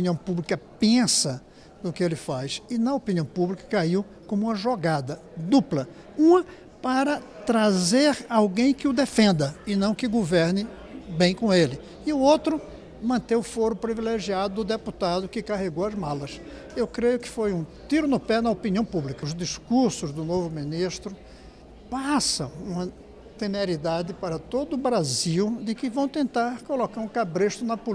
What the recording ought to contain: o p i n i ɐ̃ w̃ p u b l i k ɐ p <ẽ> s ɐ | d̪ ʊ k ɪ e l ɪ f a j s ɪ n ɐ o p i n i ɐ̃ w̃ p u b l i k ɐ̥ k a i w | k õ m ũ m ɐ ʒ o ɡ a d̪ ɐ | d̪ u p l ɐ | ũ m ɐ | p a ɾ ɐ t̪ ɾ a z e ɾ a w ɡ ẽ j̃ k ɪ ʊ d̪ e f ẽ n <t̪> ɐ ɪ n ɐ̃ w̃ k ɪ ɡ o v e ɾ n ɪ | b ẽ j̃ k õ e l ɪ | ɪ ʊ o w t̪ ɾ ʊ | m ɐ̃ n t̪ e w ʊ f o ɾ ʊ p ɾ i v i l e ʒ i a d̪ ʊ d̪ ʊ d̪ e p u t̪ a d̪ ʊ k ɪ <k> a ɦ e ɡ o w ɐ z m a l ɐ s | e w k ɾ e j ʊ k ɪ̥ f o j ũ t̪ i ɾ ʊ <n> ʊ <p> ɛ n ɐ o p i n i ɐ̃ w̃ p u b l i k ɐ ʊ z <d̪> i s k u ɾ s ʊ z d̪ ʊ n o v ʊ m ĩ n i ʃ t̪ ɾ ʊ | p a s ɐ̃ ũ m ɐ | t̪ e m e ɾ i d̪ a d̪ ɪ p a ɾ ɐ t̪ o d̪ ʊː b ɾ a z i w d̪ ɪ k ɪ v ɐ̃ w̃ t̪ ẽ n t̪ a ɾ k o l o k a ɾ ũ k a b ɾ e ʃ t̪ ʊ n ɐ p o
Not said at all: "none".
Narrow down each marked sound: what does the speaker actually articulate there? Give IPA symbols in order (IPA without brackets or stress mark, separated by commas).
ẽ, d̪, k, n, p, d̪